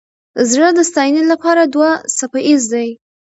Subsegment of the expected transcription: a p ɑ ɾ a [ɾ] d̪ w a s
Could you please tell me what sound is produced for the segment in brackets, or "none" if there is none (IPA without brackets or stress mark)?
none